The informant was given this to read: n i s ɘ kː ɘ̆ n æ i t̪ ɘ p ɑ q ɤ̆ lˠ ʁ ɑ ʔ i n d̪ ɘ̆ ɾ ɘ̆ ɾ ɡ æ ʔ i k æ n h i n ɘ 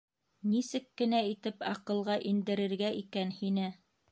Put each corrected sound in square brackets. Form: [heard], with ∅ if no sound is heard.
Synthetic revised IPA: n i s ɘ kː ɘ̆ n æ i t̪ ɘ p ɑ q ɤ̆ lˠ ʁ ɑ ʔ i n d̪ ɘ̆ ɾ ɘ̆ ɾ ɡ æ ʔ i k æ n h i n ɘ